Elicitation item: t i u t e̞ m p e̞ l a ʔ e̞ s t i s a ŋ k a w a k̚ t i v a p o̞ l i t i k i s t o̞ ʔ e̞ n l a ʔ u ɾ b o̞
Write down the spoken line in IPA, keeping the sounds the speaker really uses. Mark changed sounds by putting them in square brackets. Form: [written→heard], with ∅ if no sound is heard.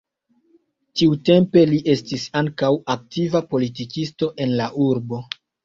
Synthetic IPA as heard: t i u t e̞ m p e̞ l [a→i] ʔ e̞ s t i s a ŋ k a w a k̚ t i v a p o̞ l i t i k i s t o̞ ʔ e̞ n l a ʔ u ɾ b o̞